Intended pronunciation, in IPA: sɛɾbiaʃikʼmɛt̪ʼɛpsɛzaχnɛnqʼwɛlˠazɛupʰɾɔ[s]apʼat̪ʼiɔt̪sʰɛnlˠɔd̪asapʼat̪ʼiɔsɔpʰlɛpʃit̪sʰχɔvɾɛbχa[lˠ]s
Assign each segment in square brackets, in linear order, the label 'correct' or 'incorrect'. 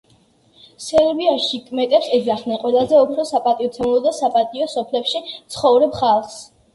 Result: correct, correct

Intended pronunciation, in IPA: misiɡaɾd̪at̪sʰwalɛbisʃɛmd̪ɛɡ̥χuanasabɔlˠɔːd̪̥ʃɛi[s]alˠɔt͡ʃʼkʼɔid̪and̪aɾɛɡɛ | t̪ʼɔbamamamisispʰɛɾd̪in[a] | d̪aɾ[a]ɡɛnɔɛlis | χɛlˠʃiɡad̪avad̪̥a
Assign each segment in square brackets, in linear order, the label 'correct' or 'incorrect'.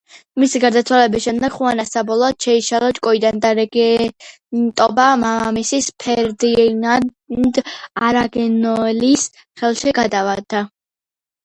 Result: incorrect, correct, correct

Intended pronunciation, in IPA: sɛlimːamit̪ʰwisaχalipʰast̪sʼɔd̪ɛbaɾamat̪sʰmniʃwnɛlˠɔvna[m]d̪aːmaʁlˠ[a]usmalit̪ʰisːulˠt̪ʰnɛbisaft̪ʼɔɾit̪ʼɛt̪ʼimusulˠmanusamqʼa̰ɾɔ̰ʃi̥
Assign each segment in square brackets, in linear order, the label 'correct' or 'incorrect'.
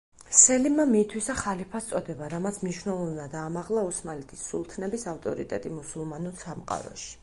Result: incorrect, correct

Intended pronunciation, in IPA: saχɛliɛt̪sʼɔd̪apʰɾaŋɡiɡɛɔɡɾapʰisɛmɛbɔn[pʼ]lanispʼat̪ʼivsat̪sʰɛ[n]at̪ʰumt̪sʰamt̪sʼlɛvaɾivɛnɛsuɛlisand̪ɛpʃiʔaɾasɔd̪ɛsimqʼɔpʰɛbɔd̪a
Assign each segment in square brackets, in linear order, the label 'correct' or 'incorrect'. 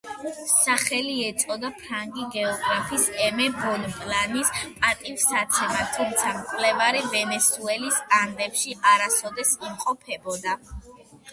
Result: correct, incorrect

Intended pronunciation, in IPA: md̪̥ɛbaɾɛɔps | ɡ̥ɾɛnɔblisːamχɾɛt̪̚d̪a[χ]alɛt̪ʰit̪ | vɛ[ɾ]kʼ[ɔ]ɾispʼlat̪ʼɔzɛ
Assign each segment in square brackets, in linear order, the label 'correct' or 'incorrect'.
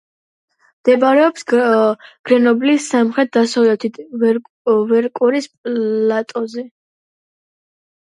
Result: incorrect, correct, incorrect

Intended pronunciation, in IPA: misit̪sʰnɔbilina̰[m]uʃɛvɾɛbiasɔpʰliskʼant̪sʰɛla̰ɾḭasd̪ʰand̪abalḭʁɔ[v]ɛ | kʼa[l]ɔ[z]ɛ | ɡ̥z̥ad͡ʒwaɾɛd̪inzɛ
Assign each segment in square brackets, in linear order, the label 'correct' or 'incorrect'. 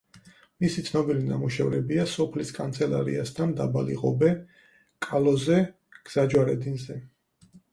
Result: correct, incorrect, correct, correct

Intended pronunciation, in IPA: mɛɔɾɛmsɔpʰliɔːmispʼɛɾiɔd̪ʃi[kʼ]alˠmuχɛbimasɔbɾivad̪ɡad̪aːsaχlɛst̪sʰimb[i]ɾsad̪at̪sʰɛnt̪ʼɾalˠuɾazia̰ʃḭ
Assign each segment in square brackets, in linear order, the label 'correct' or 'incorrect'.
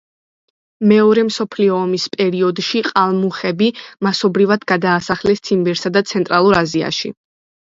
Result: incorrect, incorrect

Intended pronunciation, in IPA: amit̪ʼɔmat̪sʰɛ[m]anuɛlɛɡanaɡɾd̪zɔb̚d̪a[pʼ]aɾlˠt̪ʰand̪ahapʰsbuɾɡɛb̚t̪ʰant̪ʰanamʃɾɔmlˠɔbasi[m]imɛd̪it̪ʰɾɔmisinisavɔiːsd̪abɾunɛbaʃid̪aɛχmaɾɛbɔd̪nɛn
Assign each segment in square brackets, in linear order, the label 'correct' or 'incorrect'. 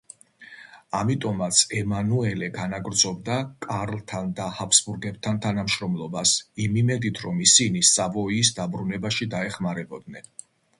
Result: correct, incorrect, correct

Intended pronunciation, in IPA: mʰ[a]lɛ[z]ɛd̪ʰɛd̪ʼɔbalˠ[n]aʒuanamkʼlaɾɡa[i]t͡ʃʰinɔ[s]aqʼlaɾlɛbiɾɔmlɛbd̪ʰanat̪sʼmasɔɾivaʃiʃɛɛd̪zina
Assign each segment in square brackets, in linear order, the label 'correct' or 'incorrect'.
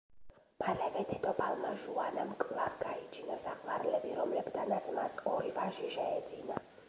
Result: correct, incorrect, incorrect, correct, correct

